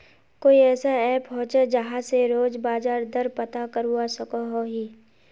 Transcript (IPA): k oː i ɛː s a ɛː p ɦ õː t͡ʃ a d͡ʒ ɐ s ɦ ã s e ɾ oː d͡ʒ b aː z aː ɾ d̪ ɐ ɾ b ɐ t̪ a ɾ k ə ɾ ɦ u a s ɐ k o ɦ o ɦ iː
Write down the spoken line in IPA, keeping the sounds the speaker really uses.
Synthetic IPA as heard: k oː i ɛː s a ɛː p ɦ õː t͡ʃ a d͡ʒ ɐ ɦ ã s e ɾ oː d͡ʒ b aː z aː ɾ d̪ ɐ ɾ p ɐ t̪ a k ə ɾ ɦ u a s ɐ k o ɦ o ɦ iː